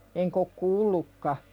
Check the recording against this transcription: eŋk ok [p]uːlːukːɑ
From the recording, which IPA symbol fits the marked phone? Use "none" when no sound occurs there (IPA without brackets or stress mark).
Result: k